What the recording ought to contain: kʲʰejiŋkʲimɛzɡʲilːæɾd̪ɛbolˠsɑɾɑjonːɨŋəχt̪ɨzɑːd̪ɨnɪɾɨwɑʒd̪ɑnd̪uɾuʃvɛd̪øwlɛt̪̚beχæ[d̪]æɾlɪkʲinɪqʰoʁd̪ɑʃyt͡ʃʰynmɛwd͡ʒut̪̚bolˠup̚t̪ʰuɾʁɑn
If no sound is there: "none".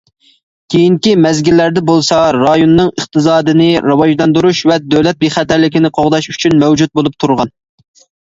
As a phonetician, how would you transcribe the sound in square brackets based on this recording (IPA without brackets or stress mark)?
t̪